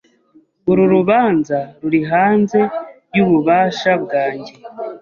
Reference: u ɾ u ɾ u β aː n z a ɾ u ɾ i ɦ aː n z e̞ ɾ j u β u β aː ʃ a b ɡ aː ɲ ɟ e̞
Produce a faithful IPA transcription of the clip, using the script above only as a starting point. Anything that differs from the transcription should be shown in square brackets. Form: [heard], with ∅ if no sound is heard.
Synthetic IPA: u ɾ u ɾ u β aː n z a ɾ u ɾ i ɦ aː n z e̞ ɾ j u β u β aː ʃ a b ɡ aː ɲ ɟ e̞